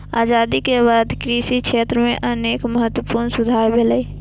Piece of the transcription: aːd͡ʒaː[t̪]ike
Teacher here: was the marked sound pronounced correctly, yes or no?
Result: no